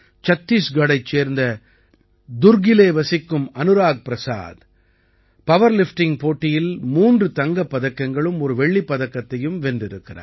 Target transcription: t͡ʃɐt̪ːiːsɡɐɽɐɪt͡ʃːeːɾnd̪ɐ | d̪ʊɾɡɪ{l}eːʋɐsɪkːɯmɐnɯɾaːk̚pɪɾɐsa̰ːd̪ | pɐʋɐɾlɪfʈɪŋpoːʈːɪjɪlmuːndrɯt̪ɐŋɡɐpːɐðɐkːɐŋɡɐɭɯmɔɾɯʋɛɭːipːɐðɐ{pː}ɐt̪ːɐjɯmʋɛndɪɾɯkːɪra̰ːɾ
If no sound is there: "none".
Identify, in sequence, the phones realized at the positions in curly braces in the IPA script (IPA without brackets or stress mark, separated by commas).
l, kː